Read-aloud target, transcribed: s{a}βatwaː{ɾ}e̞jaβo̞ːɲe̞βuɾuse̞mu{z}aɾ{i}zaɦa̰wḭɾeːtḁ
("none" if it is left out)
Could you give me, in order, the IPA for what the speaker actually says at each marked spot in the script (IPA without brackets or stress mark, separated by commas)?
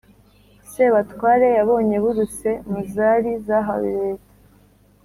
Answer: e, ɾ, z, i